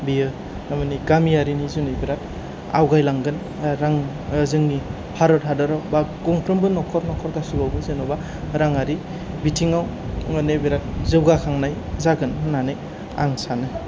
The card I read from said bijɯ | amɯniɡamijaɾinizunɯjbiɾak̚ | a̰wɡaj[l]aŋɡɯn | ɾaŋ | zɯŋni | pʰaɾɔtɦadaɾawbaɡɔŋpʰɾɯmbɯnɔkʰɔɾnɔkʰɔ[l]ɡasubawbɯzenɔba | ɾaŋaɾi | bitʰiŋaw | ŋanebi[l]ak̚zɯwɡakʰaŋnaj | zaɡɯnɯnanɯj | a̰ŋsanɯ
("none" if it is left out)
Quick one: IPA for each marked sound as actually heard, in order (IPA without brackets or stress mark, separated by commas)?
l, ɾ, ɾ